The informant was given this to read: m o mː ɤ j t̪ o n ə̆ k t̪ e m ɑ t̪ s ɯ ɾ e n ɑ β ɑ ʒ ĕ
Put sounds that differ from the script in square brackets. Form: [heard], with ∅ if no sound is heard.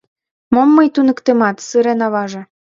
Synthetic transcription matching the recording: m o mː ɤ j t̪ [u] n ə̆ k t̪ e m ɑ t̪ s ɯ ɾ e n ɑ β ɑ ʒ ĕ